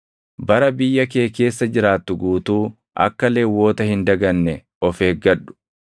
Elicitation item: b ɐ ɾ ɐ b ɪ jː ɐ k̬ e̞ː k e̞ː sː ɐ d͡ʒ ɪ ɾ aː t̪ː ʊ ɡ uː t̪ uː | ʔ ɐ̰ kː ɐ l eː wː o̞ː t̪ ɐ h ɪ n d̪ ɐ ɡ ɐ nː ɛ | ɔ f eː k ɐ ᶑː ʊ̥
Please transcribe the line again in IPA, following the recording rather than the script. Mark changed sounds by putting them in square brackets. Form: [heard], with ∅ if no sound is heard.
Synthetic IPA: b ɐ ɾ ɐ b ɪ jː ɐ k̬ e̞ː k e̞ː sː ɐ d͡ʒ ɪ ɾ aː t̪ː ʊ ɡ uː t̪ uː | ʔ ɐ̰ kː ɐ l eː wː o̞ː t̪ ɐ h ɪ n d̪ ɐ ɡ ɐ nː ɛ | ɔ f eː [ɡ] ɐ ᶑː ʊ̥